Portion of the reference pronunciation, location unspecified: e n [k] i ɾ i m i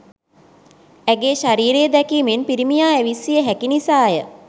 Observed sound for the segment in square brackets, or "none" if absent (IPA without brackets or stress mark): p